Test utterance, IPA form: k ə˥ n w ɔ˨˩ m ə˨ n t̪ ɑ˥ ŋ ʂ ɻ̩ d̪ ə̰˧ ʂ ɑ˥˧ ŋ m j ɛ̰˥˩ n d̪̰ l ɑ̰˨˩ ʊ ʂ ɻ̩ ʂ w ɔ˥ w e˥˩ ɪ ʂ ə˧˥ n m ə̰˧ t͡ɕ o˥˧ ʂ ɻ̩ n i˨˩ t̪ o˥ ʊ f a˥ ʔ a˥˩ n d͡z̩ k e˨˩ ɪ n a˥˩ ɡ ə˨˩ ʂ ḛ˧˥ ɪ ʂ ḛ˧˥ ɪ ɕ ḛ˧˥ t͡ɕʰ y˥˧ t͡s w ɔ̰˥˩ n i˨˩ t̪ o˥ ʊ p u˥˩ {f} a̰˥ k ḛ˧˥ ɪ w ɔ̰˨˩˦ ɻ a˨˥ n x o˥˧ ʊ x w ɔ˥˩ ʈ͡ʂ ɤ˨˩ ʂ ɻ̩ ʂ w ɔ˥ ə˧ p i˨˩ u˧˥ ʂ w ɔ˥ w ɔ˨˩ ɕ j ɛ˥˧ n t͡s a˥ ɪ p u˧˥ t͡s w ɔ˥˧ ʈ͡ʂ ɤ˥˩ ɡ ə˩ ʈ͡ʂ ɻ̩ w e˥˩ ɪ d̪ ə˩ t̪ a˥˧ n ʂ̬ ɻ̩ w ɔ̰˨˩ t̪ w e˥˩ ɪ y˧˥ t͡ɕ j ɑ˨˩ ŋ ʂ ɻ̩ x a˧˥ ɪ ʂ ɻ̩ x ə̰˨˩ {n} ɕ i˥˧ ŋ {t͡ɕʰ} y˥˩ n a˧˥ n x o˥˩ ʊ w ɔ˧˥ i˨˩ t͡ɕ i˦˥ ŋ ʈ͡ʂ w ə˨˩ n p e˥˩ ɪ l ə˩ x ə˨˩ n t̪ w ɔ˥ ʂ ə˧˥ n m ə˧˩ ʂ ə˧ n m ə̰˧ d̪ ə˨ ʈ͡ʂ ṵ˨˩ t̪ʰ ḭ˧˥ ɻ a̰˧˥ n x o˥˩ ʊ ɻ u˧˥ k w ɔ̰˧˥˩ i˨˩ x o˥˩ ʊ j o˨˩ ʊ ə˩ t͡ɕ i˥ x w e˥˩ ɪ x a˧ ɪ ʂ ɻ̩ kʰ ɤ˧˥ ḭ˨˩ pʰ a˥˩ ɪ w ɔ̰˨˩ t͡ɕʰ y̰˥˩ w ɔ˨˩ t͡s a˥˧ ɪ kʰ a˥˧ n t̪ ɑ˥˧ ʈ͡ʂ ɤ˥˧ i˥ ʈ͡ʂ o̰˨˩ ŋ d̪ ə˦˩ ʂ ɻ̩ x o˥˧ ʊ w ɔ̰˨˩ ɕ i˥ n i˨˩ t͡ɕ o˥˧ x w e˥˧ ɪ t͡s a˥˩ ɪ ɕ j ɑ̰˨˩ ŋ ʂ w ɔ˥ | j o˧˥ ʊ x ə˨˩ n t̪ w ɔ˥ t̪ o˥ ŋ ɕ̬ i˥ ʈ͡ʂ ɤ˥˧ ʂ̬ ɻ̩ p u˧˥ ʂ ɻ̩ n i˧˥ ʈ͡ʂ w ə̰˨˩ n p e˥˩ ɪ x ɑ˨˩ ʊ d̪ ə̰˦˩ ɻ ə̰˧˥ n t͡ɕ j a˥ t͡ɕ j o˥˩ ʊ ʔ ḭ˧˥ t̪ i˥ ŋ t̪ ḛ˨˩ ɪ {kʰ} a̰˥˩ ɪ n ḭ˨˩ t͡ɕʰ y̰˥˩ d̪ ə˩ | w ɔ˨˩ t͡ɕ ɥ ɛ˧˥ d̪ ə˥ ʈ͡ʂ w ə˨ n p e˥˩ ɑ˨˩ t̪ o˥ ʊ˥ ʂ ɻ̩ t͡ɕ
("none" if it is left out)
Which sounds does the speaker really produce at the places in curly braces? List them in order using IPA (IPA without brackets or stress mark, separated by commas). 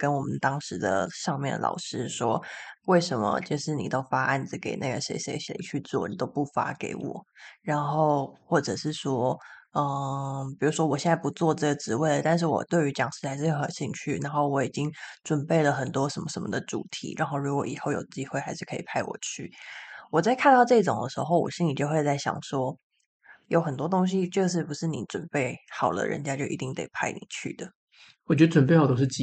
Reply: f, n, t͡ɕʰ, pʰ